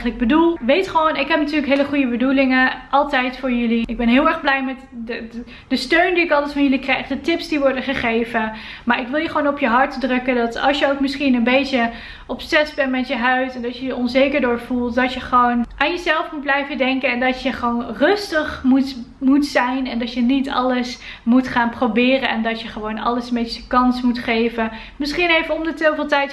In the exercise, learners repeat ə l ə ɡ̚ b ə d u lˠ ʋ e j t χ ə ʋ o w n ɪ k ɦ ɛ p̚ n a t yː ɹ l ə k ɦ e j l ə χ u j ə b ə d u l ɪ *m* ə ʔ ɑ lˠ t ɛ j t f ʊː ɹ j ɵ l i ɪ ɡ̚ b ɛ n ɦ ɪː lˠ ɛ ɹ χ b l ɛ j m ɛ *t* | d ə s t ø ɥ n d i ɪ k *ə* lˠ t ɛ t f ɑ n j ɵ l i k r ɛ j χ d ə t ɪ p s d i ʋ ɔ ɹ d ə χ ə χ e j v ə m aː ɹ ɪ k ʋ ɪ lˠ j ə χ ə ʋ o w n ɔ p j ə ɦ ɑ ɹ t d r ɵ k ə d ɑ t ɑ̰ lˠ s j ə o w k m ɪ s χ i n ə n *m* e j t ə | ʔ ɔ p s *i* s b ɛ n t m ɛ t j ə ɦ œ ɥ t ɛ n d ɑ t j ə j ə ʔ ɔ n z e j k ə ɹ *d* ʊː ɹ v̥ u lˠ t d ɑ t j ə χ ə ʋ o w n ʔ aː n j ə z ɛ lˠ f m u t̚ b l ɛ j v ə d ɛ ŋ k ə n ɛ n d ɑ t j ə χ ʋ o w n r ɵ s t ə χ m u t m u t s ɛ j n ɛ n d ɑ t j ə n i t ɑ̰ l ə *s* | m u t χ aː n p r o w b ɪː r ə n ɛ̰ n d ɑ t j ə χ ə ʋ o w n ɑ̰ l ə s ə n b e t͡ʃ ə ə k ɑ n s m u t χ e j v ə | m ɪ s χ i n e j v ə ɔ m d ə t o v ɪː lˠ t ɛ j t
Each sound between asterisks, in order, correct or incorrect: incorrect, correct, incorrect, incorrect, incorrect, correct, correct

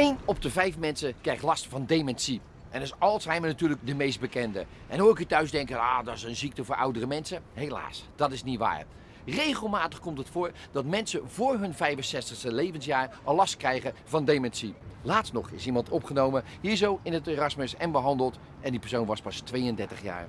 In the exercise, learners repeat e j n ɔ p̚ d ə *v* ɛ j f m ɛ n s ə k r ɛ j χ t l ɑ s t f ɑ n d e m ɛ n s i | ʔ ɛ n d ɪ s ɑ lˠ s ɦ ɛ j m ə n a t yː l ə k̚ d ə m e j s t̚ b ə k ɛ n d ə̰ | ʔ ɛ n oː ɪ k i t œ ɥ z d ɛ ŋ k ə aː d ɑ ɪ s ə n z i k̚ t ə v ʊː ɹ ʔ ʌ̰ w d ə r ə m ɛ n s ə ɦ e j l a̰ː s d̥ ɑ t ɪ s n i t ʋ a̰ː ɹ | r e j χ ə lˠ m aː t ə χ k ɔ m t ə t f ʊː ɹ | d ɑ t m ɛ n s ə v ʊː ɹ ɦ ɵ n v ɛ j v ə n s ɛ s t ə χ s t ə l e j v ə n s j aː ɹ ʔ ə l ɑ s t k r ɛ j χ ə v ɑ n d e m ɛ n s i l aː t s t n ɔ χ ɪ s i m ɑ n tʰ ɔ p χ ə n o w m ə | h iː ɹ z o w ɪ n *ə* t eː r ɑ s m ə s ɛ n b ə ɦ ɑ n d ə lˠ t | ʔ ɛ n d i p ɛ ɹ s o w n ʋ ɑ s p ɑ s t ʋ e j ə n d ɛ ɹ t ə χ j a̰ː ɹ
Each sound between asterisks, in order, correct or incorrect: correct, correct

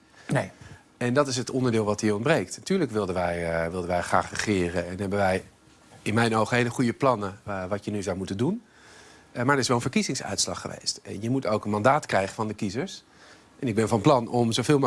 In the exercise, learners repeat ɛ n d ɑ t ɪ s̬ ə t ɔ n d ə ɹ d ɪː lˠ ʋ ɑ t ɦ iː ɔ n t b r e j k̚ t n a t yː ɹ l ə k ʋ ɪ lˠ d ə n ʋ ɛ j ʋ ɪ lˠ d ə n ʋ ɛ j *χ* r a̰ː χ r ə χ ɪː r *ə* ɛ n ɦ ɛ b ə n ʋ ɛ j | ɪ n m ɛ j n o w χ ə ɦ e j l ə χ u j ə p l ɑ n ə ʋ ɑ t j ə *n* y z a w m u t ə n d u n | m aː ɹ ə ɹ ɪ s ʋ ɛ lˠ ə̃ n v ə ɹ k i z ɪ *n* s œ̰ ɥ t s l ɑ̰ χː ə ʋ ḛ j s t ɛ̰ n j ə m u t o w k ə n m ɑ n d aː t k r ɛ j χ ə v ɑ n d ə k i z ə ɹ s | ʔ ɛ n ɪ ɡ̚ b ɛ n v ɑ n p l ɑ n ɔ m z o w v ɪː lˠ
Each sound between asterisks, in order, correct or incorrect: correct, correct, correct, incorrect

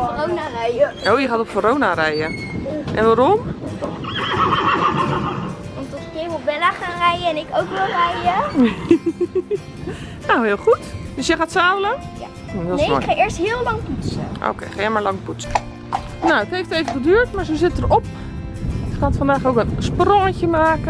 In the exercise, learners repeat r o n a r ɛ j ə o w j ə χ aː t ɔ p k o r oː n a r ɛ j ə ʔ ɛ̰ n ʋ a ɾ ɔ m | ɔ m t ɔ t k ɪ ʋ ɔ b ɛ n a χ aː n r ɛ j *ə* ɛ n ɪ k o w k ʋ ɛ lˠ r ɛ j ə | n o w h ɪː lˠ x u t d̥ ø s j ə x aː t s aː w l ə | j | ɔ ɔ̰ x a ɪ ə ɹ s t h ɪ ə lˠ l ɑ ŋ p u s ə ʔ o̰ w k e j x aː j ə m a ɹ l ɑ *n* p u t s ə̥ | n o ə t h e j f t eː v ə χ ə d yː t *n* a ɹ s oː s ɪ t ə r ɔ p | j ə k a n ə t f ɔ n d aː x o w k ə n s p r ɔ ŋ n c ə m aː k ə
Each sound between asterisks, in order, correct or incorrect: correct, incorrect, incorrect

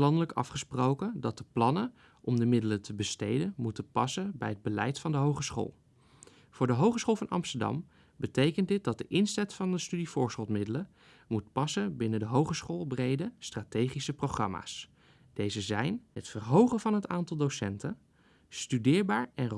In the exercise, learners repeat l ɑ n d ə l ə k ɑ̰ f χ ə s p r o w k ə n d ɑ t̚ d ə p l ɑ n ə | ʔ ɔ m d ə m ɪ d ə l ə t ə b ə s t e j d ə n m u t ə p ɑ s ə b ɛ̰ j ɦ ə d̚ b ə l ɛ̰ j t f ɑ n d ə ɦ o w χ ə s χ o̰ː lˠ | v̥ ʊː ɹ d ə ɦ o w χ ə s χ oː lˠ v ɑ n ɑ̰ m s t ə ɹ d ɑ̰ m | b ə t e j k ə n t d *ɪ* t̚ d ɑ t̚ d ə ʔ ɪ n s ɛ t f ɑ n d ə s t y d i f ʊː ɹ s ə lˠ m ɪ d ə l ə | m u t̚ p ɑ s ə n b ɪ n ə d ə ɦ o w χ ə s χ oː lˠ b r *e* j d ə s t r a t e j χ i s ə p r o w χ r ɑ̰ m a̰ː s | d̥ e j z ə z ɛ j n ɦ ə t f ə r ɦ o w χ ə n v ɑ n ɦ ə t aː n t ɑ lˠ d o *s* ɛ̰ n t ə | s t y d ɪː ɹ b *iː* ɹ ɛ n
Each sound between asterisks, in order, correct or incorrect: correct, correct, correct, incorrect

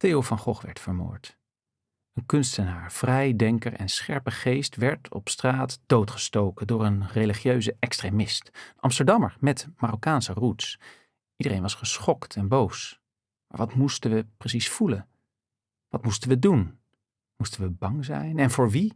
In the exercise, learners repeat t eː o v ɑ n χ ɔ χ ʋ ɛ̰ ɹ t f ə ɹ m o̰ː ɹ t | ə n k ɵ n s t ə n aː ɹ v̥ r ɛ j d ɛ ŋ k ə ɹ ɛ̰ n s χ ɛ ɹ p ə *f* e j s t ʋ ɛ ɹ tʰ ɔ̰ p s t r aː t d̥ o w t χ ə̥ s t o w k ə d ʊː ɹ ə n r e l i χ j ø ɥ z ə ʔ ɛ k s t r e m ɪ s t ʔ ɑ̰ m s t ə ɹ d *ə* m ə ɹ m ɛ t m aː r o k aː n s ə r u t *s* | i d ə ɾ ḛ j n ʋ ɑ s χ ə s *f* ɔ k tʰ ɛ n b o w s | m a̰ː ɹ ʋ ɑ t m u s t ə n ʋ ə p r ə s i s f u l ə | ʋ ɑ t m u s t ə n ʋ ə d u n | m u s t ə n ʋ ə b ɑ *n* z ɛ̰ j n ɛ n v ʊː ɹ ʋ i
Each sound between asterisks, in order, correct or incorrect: incorrect, incorrect, correct, incorrect, incorrect

